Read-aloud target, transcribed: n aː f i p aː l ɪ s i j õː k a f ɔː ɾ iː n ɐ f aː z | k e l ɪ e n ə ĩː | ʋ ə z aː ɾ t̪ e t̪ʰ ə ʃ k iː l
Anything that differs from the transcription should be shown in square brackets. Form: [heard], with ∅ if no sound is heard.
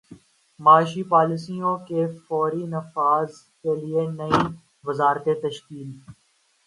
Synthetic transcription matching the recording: [m] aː [ʃ] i p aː l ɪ s i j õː k [e] f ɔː ɾ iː n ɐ f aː z | k e l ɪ e n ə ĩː | ʋ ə z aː ɾ t̪ e [t̪] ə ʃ k iː l